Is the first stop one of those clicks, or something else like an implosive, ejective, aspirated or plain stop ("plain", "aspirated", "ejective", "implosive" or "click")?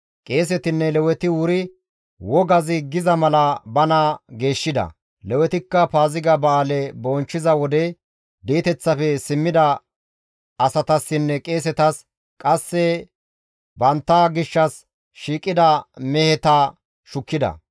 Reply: ejective